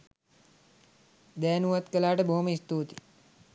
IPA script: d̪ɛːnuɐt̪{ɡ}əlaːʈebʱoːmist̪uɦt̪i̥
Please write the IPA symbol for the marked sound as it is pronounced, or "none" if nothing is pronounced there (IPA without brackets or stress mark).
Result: k